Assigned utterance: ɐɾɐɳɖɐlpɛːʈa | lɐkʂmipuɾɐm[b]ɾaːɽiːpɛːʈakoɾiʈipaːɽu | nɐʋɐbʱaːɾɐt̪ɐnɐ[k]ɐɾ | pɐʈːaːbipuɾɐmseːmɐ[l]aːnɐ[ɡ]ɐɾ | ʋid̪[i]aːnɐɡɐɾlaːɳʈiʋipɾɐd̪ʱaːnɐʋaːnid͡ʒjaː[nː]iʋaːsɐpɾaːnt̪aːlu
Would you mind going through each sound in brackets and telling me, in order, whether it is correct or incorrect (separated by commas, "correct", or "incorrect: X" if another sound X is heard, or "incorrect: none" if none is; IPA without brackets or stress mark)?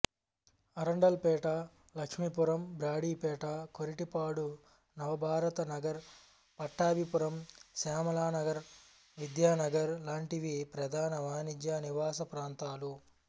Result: correct, incorrect: ɡ, correct, correct, incorrect: j, incorrect: n